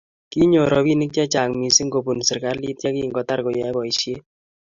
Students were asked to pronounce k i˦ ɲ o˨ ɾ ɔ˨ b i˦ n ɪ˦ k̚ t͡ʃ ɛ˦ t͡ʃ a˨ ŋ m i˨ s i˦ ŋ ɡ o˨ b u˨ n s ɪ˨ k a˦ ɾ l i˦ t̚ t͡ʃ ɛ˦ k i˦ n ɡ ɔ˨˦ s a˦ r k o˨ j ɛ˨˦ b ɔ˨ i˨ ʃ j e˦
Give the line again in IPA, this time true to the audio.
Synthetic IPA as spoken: k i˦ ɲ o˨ ɾ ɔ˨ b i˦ n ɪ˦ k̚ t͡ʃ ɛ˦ t͡ʃ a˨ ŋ m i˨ s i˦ ŋ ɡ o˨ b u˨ n s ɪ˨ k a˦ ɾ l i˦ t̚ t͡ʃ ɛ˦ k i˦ ŋ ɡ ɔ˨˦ t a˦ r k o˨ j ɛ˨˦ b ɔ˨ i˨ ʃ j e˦